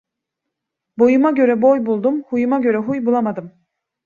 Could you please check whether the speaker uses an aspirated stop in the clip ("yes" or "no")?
no